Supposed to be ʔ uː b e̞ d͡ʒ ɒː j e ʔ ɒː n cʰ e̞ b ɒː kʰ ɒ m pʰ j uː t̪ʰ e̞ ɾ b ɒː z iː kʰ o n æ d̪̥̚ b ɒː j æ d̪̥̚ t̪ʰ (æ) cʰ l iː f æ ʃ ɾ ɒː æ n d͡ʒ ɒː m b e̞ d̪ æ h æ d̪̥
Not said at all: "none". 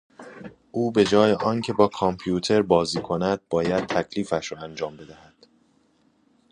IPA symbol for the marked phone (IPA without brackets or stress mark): æ